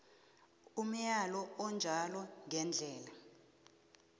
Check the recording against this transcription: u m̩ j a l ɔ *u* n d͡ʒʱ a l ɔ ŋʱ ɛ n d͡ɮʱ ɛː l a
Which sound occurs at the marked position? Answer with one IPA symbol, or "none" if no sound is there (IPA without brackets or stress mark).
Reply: ɔ